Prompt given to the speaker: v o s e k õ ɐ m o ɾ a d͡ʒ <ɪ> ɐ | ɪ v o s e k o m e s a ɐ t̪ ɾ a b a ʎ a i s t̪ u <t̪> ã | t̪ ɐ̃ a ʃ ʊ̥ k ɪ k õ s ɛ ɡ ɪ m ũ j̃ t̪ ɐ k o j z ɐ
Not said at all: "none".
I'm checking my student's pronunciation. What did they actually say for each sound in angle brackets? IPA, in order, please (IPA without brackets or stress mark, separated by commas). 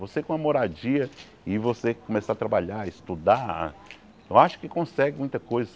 i, d̪